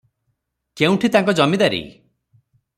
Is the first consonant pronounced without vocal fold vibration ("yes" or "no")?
yes